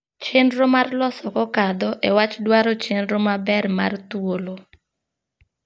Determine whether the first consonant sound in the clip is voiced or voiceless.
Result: voiceless